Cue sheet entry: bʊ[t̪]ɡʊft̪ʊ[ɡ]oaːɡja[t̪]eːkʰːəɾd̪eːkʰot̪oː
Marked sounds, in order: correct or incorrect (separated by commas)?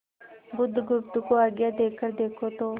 incorrect, incorrect, incorrect